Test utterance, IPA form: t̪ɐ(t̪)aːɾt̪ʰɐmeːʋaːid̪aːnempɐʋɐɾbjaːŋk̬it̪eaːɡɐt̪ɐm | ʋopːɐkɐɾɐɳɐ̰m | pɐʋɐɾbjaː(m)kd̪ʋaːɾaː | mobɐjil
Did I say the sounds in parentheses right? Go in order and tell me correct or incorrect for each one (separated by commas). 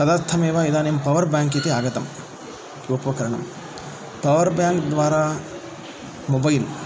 incorrect, incorrect